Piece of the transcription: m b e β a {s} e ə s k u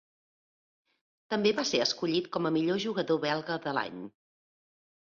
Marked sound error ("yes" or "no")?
no